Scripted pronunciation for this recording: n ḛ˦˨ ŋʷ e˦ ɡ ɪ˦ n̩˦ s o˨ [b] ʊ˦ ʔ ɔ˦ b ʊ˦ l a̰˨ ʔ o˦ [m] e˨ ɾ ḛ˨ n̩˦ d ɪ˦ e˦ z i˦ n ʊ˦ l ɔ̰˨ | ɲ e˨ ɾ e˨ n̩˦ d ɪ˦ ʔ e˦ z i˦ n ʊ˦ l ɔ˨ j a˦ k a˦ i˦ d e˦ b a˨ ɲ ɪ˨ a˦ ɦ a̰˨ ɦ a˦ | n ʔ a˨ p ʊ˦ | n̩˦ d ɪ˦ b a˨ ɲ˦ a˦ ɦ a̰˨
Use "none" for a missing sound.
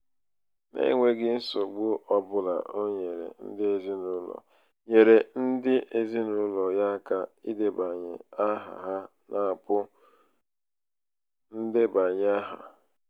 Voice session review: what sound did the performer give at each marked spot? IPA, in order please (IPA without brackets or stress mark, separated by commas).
ɡ͡b, ɲ